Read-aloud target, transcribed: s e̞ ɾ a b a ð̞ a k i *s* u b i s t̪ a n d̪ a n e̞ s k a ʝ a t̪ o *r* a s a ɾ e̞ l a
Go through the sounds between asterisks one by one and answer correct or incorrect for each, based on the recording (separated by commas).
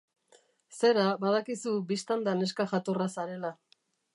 correct, correct